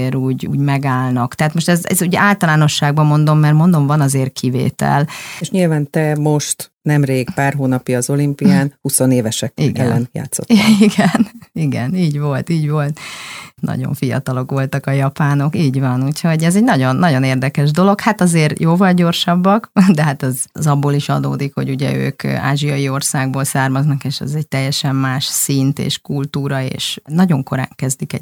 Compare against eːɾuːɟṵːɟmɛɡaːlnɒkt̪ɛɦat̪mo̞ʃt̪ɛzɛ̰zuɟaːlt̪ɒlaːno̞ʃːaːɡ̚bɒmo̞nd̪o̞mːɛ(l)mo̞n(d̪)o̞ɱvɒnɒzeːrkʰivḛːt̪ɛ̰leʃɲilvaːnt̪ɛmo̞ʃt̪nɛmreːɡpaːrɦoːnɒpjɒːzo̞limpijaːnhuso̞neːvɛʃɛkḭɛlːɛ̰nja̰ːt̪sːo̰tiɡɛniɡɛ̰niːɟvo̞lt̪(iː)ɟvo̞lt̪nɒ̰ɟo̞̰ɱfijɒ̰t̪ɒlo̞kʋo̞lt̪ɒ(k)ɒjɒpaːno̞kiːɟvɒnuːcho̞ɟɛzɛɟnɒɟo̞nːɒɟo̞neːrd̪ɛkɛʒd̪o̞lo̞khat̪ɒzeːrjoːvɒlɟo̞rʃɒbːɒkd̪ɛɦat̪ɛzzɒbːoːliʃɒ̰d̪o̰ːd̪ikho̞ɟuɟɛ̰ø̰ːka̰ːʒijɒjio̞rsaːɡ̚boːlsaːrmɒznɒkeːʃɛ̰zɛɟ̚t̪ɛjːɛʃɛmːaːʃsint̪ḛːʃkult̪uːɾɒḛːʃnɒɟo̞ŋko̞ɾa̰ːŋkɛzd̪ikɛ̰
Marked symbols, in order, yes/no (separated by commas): no, yes, yes, yes